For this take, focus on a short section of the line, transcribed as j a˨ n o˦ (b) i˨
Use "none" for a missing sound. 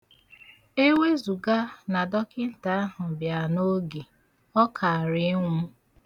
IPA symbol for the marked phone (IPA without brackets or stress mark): ɡ